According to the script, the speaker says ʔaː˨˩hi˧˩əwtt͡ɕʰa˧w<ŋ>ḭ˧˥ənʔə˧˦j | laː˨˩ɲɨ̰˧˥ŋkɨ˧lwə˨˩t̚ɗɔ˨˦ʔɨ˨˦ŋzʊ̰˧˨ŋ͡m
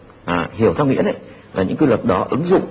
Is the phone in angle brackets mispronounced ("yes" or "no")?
no